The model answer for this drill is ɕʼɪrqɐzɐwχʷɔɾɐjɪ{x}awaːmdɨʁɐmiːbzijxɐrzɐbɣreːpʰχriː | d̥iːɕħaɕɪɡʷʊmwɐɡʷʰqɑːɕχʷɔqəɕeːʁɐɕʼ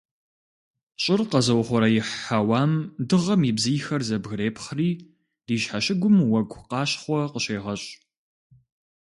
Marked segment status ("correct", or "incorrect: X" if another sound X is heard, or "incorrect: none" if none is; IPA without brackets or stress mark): incorrect: ħ